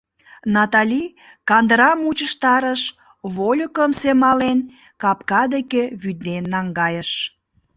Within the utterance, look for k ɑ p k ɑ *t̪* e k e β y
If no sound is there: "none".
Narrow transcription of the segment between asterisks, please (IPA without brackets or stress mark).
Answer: d̪